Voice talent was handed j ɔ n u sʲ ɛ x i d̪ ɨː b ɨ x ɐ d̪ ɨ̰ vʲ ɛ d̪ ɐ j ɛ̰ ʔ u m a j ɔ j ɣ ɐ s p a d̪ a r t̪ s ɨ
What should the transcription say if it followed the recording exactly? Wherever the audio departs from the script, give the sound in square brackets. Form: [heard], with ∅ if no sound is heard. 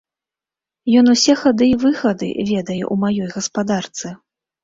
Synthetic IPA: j ɔ n u sʲ ɛ x [a] d̪ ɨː [v] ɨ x ɐ d̪ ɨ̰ vʲ ɛ d̪ ɐ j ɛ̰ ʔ u m a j ɔ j ɣ ɐ s p a d̪ a r t̪ s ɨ